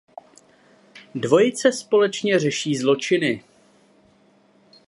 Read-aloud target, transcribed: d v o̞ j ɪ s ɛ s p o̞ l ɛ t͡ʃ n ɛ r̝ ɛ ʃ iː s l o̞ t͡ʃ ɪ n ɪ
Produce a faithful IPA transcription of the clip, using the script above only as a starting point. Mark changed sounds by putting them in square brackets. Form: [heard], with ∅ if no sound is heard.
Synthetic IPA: d v o̞ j ɪ [t͡s] ɛ s p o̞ l ɛ t͡ʃ [ɲ] ɛ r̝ ɛ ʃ iː [z] l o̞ t͡ʃ ɪ n ɪ

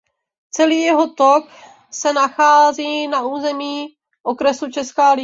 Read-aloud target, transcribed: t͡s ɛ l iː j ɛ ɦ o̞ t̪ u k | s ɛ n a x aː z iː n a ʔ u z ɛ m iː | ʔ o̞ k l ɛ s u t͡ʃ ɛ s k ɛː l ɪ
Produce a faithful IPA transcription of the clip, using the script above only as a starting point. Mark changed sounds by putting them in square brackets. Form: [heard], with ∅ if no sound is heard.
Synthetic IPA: t͡s ɛ l iː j ɛ ɦ o̞ t̪ [o] k | s ɛ n a x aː z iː n a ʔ [uː] z ɛ m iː | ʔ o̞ k [ɾ] ɛ s u t͡ʃ ɛ s k [aː] l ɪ

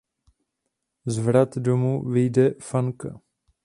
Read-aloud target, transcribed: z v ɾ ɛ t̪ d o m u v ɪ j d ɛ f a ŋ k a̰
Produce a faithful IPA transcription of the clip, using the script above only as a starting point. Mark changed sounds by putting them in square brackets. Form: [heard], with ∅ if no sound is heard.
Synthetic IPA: z v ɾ [a] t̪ d o m u v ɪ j d ɛ f a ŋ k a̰

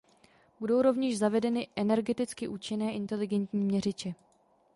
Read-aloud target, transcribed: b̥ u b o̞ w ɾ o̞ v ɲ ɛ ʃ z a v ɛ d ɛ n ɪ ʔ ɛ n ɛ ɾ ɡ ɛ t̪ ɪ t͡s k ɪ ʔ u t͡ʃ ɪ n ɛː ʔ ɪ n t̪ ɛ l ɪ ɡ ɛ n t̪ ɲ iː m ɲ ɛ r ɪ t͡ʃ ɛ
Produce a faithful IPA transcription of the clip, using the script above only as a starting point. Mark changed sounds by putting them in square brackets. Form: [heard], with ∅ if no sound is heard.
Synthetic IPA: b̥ u [d] o̞ w ɾ o̞ v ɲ ɛ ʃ z a v ɛ d ɛ n ɪ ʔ ɛ n ɛ ɾ ɡ ɛ t̪ ɪ t͡s k ɪ ʔ [uː] t͡ʃ ɪ n ɛː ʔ ɪ n t̪ ɛ l ɪ ɡ ɛ n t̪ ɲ iː m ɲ ɛ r ɪ t͡ʃ ɛ

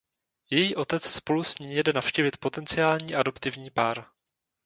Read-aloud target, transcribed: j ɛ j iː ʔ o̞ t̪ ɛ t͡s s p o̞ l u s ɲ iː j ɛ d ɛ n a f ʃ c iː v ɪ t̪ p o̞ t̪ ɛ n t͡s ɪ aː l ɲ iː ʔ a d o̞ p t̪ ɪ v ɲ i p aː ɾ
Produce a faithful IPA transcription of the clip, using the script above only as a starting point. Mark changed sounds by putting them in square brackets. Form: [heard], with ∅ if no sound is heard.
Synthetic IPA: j ɛ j iː ʔ o̞ t̪ ɛ t͡s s p o̞ l u s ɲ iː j ɛ d ɛ n a f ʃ c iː v ɪ t̪ p o̞ t̪ ɛ n t͡s ɪ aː l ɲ iː ʔ a d o̞ p t̪ ɪ v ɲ [iː] p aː ɾ

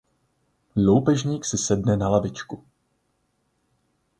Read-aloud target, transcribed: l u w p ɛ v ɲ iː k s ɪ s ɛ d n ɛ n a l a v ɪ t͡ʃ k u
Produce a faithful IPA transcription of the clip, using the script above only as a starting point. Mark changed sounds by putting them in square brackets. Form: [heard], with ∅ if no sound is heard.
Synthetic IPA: l [o] w p ɛ [ʒ] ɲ iː k s ɪ s ɛ d n ɛ n a l a v ɪ t͡ʃ k u

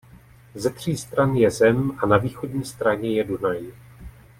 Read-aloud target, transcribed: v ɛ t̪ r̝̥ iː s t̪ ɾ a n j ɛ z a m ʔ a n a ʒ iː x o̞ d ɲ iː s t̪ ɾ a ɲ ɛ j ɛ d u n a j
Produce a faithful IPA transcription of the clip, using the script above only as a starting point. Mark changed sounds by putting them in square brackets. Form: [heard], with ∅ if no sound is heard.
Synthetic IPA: [z] ɛ t̪ r̝̥ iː s t̪ ɾ a n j ɛ z [ɛ] m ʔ a n a [v] iː x o̞ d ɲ iː s t̪ ɾ a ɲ ɛ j ɛ d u n a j

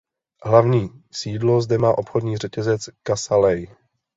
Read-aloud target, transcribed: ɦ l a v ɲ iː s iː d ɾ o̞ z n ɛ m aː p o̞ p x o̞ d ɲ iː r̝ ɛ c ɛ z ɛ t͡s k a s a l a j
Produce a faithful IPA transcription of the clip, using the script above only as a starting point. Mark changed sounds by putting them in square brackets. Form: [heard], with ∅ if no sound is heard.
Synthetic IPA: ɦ l a v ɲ iː s iː d [l] o̞ z [d] ɛ m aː [ʔ] o̞ p x o̞ d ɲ iː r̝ ɛ c ɛ z ɛ t͡s k a s a l [ɛ] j

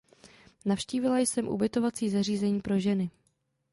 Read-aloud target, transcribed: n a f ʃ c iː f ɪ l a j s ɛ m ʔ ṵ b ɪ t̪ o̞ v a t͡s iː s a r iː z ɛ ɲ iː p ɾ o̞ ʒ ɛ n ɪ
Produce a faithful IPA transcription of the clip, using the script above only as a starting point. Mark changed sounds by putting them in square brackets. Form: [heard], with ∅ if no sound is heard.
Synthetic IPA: n a f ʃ c iː [v] ɪ l a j s ɛ m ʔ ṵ b ɪ t̪ o̞ v a t͡s iː [z] a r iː z ɛ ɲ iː p ɾ o̞ ʒ ɛ n ɪ

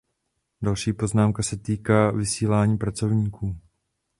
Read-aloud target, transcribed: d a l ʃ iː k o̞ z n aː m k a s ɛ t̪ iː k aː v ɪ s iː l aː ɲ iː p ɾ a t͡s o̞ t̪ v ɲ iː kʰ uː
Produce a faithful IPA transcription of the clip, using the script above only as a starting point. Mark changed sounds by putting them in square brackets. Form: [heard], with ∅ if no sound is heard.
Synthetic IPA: d a l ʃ iː [p] o̞ z n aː m k a s ɛ t̪ iː k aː v ɪ s iː l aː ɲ iː p ɾ a t͡s o̞ [∅] v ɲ iː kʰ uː

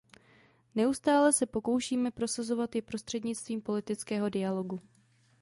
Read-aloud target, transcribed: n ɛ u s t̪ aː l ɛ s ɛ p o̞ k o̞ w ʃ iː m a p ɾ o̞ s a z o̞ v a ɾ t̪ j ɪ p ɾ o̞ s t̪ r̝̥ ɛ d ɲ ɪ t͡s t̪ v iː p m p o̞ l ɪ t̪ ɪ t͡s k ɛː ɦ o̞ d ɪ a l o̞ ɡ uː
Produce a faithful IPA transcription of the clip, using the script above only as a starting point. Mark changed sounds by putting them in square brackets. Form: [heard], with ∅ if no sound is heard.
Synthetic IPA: n ɛ u s t̪ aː l ɛ s ɛ p o̞ k o̞ w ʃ iː m [ɛ] p ɾ o̞ s a z o̞ v a [∅] t̪ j ɪ p ɾ o̞ s t̪ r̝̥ ɛ d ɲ ɪ t͡s t̪ v iː [∅] m p o̞ l ɪ t̪ ɪ t͡s k ɛː ɦ o̞ d ɪ a l o̞ ɡ [u]

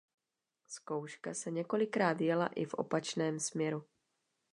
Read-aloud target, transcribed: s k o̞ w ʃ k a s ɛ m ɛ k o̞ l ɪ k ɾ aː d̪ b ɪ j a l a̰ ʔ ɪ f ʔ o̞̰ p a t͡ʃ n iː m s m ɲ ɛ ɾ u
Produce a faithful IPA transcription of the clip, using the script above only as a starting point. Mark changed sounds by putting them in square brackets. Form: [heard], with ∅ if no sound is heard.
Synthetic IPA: s k o̞ w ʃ k a s ɛ [ɲ] ɛ k o̞ l ɪ k ɾ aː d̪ [v] ɪ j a l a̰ ʔ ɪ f ʔ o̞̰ p a t͡ʃ n [ɛː] m s m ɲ ɛ ɾ u

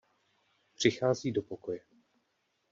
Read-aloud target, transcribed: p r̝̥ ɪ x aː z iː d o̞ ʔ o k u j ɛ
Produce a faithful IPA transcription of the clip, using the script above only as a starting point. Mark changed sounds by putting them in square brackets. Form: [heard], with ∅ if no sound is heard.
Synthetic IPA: p r̝̥ ɪ x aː z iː d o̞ [p] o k [o] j ɛ

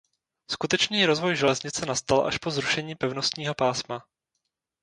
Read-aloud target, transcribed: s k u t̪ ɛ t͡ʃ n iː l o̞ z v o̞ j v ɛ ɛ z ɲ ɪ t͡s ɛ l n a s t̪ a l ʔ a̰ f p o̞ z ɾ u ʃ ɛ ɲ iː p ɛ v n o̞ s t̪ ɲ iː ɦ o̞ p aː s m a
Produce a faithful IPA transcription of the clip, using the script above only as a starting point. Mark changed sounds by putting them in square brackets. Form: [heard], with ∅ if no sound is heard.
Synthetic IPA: s k u t̪ ɛ t͡ʃ n iː [ɾ] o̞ z v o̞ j [ʒ] ɛ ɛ z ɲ ɪ t͡s ɛ [∅] n a s t̪ a l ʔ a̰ [ʃ] p o̞ z ɾ u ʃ ɛ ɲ iː p ɛ v n o̞ s t̪ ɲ iː ɦ o̞ p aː s m a

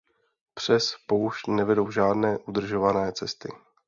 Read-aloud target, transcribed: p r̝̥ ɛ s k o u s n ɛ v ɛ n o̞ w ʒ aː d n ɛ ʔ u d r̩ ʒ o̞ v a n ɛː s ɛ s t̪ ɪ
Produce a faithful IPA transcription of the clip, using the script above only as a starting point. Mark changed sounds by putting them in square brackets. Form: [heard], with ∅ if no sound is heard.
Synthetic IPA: p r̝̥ ɛ s [p] o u [ʃ] n ɛ v ɛ [d] o̞ w ʒ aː d n [ɛː] ʔ u d r̩ ʒ o̞ v a n ɛː [t͡s] ɛ s t̪ ɪ

